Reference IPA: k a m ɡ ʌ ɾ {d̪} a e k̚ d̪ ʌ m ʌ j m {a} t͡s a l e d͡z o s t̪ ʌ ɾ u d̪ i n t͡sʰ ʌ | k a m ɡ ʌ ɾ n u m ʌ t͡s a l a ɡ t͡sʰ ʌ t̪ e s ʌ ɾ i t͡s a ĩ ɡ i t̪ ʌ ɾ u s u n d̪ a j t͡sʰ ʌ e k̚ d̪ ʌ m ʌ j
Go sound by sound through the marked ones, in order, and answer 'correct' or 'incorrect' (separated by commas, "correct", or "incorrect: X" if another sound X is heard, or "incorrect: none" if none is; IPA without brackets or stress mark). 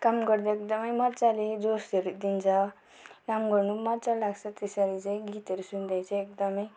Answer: correct, incorrect: ʌ